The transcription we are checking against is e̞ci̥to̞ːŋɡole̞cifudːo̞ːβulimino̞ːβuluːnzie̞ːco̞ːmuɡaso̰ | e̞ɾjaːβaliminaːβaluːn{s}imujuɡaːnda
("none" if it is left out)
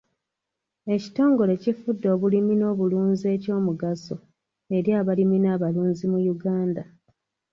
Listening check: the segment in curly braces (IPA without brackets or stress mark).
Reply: z